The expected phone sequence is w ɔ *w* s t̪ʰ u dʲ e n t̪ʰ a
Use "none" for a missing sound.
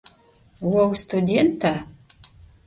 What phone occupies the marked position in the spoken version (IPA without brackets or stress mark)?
w